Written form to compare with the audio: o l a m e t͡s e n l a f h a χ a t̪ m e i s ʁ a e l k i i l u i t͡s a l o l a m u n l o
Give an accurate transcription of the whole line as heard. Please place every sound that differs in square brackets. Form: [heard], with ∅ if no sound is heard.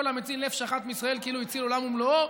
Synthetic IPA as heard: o l a m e t͡s [i] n l [e] f [ʃ] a χ a t̪ m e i s ʁ a e l k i i l u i t͡s [i] l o l a m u [m] l o